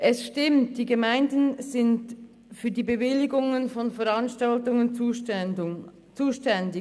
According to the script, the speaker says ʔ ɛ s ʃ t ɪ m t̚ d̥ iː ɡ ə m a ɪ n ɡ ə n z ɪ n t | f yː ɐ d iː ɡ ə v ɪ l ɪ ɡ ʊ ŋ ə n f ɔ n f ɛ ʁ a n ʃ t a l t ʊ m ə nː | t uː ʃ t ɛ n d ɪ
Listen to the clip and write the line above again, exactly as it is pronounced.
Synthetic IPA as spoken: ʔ ɛ s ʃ t ɪ m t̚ d̥ iː ɡ ə m a ɪ n d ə n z ɪ n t | f yː ɐ d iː b ə v ɪ l ɪ ɡ ʊ ŋ ə n f ɔ n f ɛ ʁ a n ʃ t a l t ʊ ŋ ə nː | t͡s uː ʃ t ɛ n d ɪ